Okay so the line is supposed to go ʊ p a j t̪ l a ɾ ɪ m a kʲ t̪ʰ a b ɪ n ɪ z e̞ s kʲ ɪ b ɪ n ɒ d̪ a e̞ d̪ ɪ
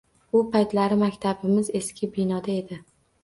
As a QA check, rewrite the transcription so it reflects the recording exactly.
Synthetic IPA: ʊ p a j t̪ l a ɾ ɪ m a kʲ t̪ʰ a b ɪ m ɪ z e̞ s kʲ ɪ b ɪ n ɒ d̪ a e̞ d̪ ɪ